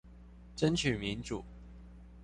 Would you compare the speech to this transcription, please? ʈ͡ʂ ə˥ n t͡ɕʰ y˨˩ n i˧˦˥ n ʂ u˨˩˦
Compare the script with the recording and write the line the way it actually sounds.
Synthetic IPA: ʈ͡ʂ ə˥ n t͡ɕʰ y˨˩ m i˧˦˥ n ʈ͡ʂ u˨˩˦